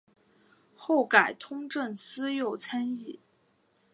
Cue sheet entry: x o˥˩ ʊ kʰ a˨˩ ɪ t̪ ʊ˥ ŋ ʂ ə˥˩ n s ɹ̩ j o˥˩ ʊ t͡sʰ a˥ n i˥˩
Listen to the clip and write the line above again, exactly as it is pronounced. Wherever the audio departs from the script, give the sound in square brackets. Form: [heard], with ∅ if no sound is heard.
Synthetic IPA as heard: x o˥˩ ʊ [k] a˨˩ ɪ [t̪ʰ] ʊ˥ ŋ [ʈ͡ʂ] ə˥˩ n s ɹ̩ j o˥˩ ʊ t͡sʰ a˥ n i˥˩